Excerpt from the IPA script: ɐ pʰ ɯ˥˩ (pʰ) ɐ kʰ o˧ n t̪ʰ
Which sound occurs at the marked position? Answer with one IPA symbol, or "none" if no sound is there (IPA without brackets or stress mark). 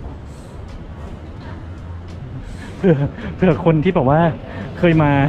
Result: none